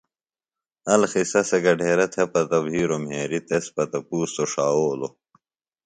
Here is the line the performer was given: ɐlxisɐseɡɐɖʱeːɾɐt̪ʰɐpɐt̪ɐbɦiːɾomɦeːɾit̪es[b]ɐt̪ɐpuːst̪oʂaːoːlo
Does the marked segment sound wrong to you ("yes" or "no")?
yes